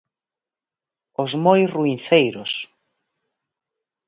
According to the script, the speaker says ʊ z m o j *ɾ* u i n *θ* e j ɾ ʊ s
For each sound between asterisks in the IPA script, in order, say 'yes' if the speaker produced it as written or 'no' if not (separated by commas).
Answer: no, yes